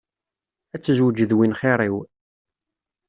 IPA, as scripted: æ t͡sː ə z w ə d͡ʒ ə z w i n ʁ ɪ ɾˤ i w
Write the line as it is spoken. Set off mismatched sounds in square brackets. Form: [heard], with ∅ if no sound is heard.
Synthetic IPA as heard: æ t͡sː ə z w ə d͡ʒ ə [ð] w i n [χ] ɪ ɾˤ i w

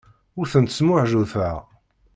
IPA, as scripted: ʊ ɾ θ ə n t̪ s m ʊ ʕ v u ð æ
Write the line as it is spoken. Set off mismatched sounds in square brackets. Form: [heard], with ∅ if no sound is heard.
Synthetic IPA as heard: ʊ ɾ θ ə n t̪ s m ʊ ʕ [ʒ] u [θ] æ

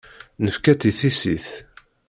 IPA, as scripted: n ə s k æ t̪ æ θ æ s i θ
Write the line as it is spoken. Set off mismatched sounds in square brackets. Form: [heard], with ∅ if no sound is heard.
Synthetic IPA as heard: n ə [f] k æ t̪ [i] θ [i] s i θ

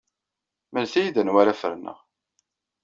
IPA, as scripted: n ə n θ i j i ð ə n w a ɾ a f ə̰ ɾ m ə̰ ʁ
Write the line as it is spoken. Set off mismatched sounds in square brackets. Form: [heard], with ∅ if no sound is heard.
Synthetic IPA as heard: [m] ə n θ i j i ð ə n w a ɾ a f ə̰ ɾ [n] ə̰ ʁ

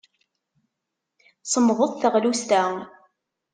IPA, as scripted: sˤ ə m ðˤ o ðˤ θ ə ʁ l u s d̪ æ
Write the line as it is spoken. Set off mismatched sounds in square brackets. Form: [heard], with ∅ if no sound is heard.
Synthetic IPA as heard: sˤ ə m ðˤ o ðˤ θ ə ʁ l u s [t̪] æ

